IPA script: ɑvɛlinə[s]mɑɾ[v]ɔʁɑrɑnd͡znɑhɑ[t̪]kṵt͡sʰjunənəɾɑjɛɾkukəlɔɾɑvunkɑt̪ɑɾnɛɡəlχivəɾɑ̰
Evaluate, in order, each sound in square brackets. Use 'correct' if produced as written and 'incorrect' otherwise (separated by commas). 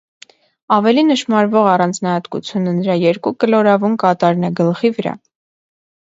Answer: incorrect, correct, correct